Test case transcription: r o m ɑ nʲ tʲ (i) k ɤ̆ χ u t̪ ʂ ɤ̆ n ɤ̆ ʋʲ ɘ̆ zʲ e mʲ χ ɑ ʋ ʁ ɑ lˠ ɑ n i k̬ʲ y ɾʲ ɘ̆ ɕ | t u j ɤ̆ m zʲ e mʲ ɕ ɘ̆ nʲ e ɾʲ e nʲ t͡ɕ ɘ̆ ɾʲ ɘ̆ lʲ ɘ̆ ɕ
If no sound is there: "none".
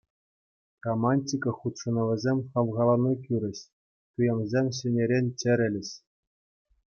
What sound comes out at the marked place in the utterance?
i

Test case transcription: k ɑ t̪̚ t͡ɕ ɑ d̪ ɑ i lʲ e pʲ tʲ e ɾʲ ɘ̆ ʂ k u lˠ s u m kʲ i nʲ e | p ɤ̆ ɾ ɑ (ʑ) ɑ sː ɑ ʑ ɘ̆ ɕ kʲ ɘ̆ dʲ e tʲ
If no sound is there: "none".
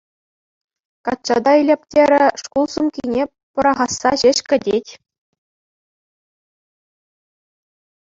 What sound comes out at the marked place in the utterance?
ʁ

